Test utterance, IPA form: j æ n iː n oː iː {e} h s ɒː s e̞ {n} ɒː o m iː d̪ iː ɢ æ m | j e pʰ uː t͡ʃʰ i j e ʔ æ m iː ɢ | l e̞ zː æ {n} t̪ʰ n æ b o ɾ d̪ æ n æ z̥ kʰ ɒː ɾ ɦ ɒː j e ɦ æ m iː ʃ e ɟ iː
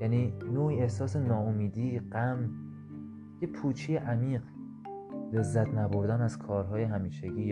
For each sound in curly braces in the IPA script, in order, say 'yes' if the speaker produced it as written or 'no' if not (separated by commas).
yes, yes, no